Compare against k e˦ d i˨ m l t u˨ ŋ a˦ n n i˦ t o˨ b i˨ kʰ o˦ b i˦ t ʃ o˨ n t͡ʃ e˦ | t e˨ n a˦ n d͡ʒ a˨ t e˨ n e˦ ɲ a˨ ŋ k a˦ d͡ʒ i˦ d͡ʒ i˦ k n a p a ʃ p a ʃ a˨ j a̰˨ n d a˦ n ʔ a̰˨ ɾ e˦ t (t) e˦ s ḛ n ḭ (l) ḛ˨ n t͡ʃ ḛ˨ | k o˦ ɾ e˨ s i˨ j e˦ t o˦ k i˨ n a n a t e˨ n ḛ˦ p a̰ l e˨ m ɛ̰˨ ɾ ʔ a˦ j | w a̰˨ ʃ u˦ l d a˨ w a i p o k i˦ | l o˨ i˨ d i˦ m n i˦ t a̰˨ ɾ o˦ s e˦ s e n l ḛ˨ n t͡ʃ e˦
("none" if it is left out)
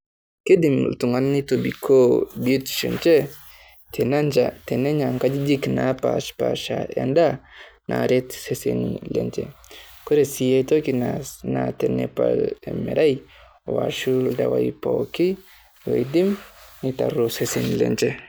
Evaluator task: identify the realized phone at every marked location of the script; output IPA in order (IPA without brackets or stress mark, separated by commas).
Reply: s, l